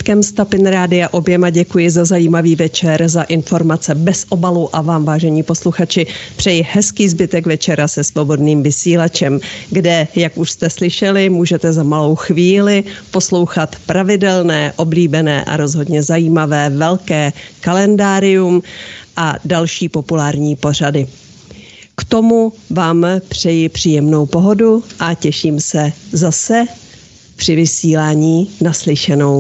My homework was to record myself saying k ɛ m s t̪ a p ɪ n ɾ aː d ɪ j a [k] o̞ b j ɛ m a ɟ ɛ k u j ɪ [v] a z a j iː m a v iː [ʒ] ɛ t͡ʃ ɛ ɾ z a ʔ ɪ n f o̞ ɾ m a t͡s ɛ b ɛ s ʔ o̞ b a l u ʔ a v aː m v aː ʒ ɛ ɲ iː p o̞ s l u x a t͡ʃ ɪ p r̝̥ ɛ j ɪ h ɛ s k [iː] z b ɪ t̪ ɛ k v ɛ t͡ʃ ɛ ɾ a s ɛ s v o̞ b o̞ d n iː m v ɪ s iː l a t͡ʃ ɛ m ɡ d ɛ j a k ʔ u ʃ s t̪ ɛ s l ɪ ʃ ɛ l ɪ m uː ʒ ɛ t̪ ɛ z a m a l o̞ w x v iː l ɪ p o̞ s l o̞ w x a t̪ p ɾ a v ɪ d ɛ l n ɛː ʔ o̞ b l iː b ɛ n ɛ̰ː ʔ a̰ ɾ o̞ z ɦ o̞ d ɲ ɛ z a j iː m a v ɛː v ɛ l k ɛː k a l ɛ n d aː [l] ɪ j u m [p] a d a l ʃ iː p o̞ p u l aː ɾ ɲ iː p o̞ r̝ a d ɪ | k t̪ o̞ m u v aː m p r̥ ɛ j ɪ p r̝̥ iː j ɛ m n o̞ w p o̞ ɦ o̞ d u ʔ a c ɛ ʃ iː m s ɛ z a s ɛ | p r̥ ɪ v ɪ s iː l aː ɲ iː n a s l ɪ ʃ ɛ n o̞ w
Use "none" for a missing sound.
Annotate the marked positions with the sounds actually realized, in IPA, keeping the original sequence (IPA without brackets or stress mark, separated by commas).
ʔ, z, v, iː, ɾ, ʔ